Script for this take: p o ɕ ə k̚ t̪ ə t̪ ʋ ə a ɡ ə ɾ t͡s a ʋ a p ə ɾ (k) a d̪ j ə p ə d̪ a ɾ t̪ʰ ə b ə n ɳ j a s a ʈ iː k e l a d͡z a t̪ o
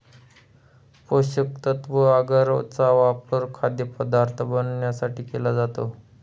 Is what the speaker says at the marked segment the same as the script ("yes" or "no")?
no